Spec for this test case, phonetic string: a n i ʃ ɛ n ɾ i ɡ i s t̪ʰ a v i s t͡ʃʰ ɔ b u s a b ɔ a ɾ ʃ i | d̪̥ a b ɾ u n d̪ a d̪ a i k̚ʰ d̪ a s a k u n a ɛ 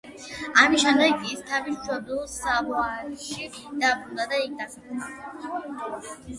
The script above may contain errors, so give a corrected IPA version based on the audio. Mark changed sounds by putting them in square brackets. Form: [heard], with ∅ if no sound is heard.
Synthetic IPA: a [m] i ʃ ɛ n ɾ [ɛ] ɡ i s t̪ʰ a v i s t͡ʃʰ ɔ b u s a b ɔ a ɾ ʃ i | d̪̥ a b ɾ u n d̪ a d̪ a i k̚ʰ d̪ a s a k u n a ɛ